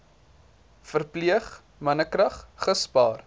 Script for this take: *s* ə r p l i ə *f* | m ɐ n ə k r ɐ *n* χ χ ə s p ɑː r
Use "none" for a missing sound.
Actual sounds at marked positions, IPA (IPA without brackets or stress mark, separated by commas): f, χ, none